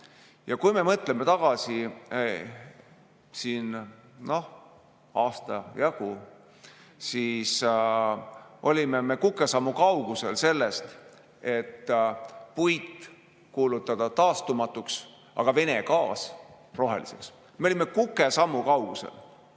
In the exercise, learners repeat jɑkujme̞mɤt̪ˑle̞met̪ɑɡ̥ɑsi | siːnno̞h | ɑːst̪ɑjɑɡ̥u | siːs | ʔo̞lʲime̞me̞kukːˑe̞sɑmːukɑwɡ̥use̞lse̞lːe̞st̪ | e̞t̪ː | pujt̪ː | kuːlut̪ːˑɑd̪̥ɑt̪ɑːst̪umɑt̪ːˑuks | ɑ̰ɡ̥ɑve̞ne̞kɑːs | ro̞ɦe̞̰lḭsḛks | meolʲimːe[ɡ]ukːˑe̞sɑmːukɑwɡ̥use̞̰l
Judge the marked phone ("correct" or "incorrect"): incorrect